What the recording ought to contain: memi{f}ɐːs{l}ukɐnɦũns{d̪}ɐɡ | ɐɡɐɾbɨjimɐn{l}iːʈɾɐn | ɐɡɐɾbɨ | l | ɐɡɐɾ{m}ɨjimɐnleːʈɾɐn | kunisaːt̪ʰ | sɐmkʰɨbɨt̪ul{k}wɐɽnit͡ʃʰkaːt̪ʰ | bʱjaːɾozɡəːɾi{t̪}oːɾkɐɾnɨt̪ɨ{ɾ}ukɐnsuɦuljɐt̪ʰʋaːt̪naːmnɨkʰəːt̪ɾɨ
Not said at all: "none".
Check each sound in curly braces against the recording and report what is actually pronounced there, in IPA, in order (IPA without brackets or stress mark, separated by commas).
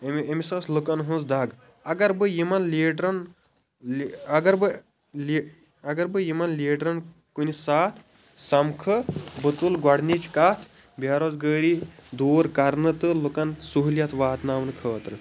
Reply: s, l, d̪, l, b, ɡ, d̪, l